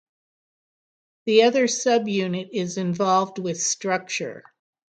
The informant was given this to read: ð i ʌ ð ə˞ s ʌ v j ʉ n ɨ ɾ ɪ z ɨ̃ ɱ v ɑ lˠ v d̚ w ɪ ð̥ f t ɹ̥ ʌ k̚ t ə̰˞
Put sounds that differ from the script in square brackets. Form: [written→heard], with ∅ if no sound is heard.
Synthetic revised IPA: ð i ʌ ð ə˞ s ʌ [v→b] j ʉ n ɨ ɾ ɪ z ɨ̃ ɱ v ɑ lˠ v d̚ w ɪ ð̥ [f→s] t ɹ̥ ʌ k̚ [t→t͡ʃ] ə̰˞